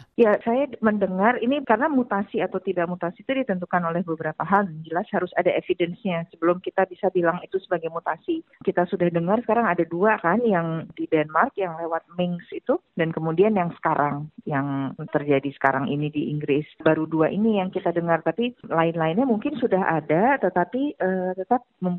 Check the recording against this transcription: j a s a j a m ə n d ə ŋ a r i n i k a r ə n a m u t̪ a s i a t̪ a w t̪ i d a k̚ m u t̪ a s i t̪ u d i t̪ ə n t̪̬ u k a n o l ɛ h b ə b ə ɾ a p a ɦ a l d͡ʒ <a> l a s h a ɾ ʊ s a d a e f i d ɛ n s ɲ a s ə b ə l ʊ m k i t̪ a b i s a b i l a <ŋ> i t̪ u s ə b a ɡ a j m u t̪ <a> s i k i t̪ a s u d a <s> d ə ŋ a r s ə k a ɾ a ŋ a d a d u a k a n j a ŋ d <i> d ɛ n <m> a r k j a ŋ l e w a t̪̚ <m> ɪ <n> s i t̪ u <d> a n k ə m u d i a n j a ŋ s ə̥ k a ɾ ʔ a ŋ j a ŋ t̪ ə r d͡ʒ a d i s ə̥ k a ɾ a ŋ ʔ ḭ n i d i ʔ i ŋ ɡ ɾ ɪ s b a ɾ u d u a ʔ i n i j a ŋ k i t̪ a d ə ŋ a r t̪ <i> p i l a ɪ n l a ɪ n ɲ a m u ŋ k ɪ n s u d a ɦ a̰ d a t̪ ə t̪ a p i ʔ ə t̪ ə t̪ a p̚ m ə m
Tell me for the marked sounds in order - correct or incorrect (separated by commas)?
incorrect, correct, correct, incorrect, correct, correct, correct, incorrect, correct, incorrect